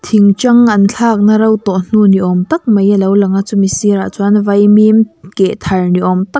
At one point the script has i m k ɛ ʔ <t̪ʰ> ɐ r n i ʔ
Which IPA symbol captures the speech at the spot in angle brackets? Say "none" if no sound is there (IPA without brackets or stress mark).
t̪ʰ